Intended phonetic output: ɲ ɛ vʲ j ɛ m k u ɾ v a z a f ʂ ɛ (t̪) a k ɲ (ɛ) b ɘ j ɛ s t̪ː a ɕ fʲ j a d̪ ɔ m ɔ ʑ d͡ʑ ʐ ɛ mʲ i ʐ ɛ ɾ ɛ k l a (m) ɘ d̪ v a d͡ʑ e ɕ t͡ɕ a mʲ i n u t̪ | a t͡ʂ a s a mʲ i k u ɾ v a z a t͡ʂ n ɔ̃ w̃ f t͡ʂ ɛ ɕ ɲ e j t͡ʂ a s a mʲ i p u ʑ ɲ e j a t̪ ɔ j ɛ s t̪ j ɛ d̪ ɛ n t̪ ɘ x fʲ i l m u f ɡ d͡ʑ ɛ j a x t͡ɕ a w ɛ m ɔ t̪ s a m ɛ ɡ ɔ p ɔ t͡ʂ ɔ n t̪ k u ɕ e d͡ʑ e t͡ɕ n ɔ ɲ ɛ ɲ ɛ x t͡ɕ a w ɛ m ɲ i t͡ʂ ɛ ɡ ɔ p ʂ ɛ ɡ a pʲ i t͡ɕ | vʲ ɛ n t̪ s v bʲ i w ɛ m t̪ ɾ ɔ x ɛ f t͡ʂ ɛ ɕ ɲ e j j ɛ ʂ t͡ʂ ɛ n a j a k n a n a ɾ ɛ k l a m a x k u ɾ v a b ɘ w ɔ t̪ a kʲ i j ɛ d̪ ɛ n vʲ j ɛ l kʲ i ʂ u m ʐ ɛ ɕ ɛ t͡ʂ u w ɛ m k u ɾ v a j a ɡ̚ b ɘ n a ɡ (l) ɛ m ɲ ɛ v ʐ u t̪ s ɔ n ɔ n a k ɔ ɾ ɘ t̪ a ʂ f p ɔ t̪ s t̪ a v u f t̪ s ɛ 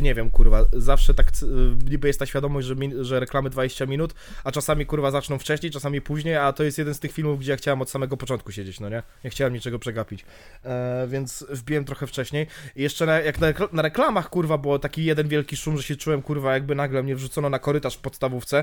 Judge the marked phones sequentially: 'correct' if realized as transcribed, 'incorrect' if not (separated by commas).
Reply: correct, incorrect, correct, correct